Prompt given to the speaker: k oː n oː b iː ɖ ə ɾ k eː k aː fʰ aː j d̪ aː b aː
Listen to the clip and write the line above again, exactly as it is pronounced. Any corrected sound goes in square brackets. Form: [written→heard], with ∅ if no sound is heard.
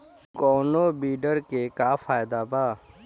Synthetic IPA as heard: k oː n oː b iː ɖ ə ɾ k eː k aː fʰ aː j d̪ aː b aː